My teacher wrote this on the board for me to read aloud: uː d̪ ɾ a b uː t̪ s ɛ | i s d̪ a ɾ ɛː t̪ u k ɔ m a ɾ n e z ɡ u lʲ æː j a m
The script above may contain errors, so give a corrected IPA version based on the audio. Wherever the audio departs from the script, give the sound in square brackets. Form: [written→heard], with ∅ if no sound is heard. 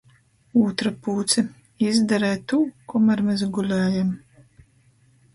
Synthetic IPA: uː [d̪→t̪] ɾ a [b→p] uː t̪ s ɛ | i [s→z] d̪ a ɾ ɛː t̪ u k ɔ m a ɾ [n→m] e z ɡ u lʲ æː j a m